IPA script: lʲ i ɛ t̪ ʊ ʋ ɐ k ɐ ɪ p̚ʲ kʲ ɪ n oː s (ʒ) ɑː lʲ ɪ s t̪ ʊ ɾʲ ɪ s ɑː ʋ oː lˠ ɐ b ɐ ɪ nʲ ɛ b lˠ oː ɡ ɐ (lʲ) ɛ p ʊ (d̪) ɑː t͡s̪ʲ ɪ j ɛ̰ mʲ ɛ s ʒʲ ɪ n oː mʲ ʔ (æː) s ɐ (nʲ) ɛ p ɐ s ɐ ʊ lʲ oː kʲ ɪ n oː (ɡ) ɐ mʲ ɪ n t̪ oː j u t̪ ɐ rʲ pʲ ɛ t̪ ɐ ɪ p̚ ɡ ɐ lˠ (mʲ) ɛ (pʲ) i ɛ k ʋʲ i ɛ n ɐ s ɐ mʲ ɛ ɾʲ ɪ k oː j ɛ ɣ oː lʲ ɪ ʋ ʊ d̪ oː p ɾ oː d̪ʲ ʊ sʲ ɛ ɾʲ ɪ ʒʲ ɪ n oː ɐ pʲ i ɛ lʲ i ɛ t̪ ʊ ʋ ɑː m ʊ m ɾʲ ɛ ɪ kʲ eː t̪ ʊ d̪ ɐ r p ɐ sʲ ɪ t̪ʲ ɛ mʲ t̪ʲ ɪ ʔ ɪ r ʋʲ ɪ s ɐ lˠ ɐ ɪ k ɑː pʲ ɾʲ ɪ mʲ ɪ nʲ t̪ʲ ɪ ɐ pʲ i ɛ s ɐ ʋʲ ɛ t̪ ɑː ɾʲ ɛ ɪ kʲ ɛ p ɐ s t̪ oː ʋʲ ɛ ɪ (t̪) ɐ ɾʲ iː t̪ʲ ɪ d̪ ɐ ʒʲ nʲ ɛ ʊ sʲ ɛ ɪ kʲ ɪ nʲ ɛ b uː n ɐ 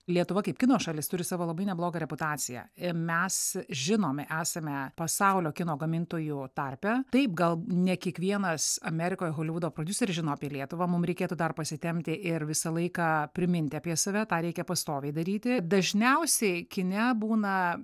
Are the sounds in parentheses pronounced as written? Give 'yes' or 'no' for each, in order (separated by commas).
no, no, no, yes, no, yes, no, no, no